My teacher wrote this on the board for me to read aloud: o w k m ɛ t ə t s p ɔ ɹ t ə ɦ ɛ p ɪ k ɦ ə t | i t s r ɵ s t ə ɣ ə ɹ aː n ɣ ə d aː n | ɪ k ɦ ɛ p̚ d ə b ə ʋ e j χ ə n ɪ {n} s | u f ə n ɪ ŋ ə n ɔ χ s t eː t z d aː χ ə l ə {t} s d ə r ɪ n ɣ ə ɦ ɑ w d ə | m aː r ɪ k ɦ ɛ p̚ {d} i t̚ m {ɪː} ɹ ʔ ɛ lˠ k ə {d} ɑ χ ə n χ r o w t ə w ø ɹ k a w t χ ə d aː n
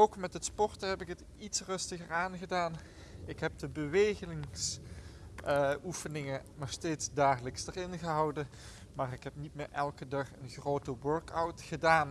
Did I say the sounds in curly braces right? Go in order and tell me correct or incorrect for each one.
incorrect: ŋ, incorrect: k, incorrect: n, correct, correct

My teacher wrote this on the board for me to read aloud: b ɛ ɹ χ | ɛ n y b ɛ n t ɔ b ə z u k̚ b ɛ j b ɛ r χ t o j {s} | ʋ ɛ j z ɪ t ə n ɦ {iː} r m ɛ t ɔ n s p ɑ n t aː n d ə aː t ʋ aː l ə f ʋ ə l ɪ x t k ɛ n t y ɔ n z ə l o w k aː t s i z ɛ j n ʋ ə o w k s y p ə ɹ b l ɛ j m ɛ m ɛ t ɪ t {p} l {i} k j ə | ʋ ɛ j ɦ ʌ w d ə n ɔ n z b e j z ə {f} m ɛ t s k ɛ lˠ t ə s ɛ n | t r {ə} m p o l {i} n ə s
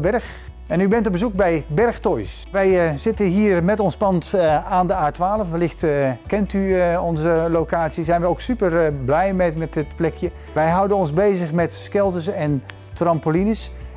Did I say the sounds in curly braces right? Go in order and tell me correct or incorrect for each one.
correct, correct, correct, incorrect: ɛ, incorrect: χ, incorrect: ɑ, correct

